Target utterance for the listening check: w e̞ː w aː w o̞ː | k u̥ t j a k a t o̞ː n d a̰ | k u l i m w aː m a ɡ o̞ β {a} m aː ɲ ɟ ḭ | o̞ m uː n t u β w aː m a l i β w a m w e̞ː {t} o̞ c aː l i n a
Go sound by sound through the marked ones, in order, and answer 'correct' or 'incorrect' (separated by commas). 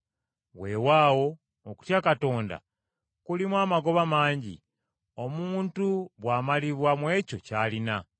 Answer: correct, incorrect